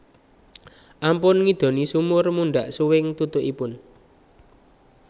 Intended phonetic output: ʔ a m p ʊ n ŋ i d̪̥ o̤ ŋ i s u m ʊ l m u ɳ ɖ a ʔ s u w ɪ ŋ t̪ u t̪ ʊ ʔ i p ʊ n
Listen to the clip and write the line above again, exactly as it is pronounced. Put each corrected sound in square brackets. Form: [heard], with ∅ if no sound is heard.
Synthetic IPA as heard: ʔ a m p ʊ n ŋ i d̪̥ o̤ [n] i s u m ʊ [r] m u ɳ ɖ a ʔ s u w ɪ ŋ t̪ u t̪ ʊ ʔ i p ʊ n